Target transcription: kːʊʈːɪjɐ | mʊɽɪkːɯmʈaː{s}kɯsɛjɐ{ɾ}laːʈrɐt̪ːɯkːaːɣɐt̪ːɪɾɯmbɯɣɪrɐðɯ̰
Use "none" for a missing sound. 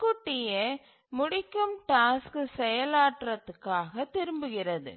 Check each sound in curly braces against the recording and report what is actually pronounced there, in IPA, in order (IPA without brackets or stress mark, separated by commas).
s, none